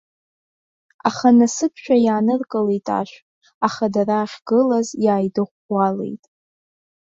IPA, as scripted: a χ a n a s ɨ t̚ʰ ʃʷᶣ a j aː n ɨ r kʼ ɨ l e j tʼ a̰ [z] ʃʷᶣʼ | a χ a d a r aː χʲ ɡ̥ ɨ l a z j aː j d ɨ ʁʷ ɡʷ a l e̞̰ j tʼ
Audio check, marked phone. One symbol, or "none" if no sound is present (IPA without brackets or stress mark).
none